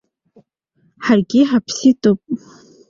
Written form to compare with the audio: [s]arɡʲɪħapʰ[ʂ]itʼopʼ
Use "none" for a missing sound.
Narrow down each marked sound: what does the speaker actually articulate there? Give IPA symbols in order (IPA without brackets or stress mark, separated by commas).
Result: ħ, s